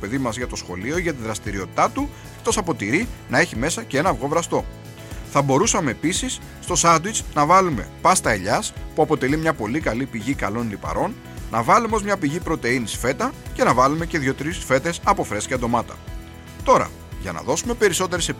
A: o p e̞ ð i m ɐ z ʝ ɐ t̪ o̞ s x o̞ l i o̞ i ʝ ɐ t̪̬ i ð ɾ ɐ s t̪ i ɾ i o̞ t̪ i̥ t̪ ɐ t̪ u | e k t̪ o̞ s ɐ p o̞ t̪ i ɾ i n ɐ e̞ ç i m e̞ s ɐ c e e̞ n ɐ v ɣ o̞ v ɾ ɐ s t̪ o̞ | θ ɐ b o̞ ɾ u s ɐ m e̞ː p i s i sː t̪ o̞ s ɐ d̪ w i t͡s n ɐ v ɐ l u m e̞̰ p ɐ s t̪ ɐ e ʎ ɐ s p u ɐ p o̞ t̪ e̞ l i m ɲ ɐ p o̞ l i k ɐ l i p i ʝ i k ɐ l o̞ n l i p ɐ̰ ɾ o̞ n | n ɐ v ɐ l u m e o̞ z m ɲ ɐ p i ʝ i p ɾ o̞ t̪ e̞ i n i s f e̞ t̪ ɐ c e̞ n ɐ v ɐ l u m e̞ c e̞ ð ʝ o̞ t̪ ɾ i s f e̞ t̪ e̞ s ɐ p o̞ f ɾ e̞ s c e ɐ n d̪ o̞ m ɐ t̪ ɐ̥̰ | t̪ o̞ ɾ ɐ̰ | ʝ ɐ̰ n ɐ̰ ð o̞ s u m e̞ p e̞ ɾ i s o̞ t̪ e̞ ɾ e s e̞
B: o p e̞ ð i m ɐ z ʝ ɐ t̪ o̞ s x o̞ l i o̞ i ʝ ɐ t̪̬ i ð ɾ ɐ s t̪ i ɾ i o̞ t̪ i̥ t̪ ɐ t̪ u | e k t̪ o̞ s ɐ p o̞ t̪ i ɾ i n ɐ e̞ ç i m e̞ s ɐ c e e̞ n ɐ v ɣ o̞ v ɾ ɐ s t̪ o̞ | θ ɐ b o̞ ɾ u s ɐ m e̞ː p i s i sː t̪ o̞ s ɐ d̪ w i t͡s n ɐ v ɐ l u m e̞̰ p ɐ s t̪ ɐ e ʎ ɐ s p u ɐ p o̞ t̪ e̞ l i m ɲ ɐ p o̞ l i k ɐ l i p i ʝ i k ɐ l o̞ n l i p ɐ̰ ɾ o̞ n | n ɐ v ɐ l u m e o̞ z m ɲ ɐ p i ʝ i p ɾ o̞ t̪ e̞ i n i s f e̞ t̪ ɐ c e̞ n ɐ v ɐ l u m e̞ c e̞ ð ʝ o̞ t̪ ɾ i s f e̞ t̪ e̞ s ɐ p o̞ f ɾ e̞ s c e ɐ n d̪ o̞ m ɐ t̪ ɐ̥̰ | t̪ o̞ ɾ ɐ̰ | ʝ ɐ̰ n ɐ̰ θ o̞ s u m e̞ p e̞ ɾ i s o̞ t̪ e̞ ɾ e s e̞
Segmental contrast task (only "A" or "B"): A